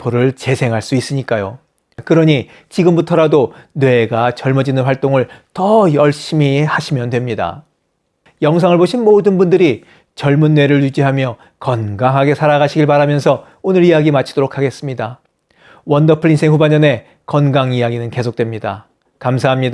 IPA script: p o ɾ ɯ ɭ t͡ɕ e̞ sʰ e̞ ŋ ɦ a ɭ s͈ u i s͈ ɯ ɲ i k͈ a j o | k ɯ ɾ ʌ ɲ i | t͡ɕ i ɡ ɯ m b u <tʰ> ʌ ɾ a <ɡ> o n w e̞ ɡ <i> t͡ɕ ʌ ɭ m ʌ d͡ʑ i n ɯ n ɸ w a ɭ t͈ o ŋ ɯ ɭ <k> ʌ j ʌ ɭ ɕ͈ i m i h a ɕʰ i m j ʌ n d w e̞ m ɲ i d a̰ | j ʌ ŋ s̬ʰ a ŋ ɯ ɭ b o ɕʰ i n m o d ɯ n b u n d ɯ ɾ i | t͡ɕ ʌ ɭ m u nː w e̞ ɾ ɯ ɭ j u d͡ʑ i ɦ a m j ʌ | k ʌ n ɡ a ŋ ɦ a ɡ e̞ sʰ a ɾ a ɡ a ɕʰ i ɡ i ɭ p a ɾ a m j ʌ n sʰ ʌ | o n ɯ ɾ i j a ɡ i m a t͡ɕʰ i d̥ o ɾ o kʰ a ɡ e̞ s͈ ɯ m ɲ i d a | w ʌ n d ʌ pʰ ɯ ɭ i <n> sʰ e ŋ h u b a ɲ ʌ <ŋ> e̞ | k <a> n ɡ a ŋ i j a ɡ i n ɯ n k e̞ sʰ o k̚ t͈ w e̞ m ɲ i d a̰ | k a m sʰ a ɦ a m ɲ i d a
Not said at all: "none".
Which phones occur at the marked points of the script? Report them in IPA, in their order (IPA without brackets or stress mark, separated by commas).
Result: tʰ, d, a, t, n, n, ʌ